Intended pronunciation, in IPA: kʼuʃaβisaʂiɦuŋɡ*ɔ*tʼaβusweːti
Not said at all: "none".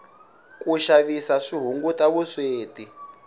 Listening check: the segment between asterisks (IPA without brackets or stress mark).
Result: u